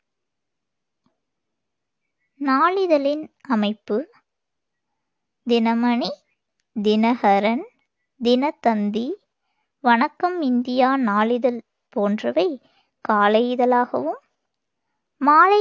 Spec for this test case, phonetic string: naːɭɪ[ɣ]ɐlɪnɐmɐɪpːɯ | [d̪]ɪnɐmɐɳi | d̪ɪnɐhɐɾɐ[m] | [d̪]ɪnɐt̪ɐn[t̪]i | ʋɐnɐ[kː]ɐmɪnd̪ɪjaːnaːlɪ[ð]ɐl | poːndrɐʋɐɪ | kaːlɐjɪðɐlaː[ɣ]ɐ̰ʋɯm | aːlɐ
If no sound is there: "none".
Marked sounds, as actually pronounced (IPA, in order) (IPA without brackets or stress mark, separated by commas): ð, d̪, n, d̪, d̪, kː, ð, ɣ